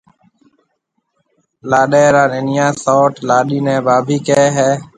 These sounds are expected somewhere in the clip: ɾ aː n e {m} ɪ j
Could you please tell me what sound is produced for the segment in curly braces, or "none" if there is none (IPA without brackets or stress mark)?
n